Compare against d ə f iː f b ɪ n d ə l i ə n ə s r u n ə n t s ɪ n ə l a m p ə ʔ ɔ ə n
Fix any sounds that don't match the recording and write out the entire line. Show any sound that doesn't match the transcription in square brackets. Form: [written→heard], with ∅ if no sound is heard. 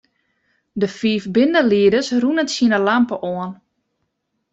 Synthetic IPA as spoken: d ə f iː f b ɪ n d ə l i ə [n→d] ə s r u n ə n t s [ɪ→i] n ə l a m p ə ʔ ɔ ə n